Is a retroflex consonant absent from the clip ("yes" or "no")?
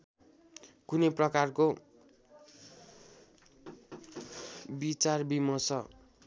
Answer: yes